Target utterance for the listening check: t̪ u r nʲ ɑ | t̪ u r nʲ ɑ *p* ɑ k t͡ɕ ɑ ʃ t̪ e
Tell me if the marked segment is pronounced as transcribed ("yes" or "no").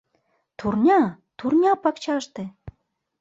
yes